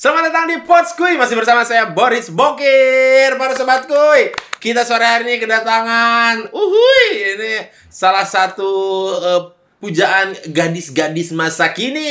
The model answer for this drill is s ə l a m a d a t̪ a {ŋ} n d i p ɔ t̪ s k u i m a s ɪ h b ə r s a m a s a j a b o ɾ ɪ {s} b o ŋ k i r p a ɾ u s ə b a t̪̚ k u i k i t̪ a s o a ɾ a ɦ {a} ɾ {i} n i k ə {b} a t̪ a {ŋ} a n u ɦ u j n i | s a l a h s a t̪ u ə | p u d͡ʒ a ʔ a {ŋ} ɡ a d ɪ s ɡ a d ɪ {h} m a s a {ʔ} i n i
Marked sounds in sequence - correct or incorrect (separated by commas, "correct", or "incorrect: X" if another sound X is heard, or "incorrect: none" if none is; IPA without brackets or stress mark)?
correct, correct, correct, correct, incorrect: d, correct, incorrect: n, incorrect: s, incorrect: k